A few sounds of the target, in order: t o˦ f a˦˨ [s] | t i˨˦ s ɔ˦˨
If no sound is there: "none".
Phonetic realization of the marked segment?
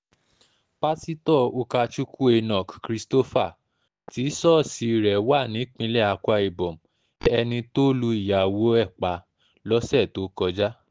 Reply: none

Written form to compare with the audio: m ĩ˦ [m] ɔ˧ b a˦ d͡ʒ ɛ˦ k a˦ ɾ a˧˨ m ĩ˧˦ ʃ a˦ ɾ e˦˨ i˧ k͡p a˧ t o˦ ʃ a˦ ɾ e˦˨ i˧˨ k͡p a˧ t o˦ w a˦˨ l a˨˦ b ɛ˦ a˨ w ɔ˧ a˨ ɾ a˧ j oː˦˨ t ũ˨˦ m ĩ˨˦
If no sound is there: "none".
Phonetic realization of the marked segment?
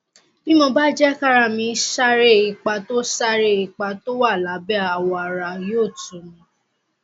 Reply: m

